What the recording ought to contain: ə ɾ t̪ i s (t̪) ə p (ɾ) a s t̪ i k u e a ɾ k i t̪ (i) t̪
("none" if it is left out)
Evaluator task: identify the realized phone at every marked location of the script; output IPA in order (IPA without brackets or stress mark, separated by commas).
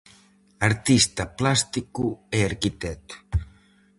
t̪, l, ɛ